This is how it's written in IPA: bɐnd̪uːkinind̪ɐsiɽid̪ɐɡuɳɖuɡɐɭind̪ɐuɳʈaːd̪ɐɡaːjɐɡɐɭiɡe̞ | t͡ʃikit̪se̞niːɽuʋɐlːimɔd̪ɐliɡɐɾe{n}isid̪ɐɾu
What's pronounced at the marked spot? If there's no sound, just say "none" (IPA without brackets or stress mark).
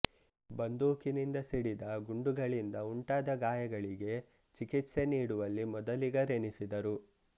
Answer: n